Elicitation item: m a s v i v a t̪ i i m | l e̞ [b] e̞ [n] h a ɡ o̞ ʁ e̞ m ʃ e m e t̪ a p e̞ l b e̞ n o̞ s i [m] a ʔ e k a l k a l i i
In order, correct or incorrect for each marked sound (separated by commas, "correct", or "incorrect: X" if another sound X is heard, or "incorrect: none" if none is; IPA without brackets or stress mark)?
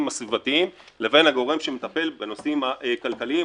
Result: incorrect: v, correct, correct